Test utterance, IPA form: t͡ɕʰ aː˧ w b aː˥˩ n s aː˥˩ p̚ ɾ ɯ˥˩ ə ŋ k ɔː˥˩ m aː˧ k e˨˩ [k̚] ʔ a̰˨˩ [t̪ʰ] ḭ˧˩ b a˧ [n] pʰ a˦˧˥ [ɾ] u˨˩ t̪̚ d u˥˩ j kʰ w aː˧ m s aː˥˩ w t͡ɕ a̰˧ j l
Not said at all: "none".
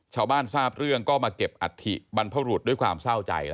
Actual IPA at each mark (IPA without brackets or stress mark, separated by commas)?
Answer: p̚, t̪ʰ, n, ɾ